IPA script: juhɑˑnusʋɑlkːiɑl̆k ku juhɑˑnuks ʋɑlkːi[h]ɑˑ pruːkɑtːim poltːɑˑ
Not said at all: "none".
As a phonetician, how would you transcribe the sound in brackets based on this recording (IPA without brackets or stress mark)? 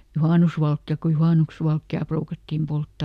none